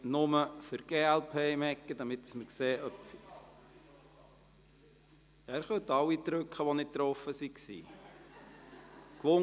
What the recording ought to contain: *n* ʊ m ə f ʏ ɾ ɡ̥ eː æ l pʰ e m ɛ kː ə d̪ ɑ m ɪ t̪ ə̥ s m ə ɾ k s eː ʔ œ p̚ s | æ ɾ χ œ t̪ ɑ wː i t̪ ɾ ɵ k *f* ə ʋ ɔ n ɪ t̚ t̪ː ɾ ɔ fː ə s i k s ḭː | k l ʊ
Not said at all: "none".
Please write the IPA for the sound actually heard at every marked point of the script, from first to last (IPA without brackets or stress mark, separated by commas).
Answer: n, χ